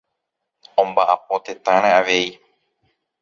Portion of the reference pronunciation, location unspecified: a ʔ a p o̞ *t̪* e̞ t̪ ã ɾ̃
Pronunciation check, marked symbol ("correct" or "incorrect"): correct